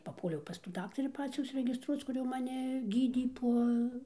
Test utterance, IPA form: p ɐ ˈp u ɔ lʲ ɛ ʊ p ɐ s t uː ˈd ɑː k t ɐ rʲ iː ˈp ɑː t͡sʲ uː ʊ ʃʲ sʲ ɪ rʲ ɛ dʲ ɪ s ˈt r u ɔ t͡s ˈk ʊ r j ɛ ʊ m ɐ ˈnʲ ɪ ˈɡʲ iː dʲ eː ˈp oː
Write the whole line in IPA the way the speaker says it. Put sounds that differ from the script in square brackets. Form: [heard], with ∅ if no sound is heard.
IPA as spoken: p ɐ ˈp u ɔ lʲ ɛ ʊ p ɐ s t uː ˈd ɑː k t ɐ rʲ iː ˈp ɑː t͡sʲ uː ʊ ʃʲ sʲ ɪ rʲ ɛ [ɡʲ] ɪ s ˈt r u ɔ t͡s ˈk ʊ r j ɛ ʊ m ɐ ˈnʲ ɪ ˈɡʲ iː dʲ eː ˈp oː

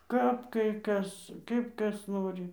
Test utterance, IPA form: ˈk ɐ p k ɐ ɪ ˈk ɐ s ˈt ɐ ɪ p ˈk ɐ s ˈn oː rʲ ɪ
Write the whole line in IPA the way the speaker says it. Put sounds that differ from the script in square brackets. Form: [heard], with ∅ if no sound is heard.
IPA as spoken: ˈk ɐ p k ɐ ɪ ˈk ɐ s [ˈk] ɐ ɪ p ˈk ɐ s ˈn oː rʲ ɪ

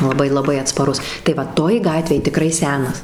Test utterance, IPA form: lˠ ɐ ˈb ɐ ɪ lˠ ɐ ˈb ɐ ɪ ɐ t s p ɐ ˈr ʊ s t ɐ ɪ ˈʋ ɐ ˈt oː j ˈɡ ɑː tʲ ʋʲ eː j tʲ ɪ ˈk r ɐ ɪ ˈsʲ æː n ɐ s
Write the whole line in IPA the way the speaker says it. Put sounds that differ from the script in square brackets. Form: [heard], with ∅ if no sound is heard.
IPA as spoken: lˠ ɐ ˈb ɐ ɪ lˠ ɐ ˈb ɐ ɪ ɐ t s p ɐ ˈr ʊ s t ɐ ɪ ˈʋ ɐ ˈt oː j ˈɡ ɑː tʲ ʋʲ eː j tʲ ɪ ˈk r ɐ ɪ ˈsʲ æː n ɐ s

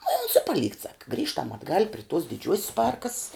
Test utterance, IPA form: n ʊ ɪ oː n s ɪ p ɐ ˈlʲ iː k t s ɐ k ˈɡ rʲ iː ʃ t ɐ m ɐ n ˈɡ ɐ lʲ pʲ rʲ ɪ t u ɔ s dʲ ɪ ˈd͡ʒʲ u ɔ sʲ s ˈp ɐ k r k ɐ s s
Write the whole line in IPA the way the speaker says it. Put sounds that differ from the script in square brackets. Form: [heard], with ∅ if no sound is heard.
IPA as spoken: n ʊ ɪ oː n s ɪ p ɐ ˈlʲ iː k t s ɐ k ˈɡ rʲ iː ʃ t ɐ m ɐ [d] ˈɡ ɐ lʲ pʲ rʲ ɪ t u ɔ s dʲ ɪ ˈd͡ʒʲ u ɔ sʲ s ˈp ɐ [∅] r k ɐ s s

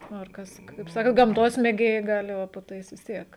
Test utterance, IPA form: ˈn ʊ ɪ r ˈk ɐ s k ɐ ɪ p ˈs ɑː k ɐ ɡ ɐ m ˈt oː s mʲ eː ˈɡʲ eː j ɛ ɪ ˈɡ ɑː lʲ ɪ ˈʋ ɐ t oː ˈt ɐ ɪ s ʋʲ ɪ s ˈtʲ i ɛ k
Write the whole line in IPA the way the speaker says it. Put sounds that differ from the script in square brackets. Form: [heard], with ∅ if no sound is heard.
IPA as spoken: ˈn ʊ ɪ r ˈk ɐ s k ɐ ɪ p ˈs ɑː k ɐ ɡ ɐ m ˈt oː s mʲ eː ˈɡʲ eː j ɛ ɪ ˈɡ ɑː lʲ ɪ ˈʋ ɐ [p] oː ˈt ɐ ɪ s ʋʲ ɪ s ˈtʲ i ɛ k

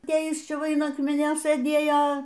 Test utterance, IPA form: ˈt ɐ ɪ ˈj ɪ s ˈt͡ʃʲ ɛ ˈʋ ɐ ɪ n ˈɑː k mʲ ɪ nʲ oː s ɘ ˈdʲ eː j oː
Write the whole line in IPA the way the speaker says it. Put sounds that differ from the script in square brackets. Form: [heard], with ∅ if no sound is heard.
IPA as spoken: ˈt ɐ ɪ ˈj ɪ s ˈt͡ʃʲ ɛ ˈʋ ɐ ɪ n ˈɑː k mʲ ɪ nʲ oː s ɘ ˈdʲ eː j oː

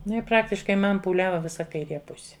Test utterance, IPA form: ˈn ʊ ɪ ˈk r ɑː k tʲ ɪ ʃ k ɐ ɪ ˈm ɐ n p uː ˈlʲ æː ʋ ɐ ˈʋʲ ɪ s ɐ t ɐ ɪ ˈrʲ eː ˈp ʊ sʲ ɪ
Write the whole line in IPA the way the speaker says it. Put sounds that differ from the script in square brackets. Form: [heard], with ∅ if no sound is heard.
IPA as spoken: ˈn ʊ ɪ [ˈp] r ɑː k tʲ ɪ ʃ k ɐ ɪ ˈm ɐ n p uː ˈlʲ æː ʋ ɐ ˈʋʲ ɪ s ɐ [k] ɐ ɪ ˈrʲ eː ˈp ʊ sʲ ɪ

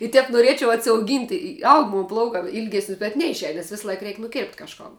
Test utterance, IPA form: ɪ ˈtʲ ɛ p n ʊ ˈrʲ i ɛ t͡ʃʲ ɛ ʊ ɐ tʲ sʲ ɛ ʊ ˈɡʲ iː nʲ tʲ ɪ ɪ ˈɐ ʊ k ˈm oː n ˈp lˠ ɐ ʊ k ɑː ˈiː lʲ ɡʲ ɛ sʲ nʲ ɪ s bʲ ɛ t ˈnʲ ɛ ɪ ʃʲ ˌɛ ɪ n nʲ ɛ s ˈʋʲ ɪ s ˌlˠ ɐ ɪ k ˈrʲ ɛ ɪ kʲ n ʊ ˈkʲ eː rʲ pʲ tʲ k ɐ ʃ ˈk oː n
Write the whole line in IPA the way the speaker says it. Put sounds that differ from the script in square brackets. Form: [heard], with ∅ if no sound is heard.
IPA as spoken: ɪ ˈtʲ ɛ p n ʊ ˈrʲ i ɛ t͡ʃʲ ɛ ʊ ɐ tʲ sʲ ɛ ʊ ˈɡʲ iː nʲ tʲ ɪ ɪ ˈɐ ʊ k ˈm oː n ˈp lˠ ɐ ʊ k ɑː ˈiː lʲ ɡʲ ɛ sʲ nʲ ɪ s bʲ ɛ t ˈnʲ ɛ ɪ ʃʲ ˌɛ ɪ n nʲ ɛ s ˈʋʲ ɪ s ˌlˠ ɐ ɪ k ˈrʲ ɛ ɪ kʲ n ʊ ˈkʲ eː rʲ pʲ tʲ k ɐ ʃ ˈk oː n

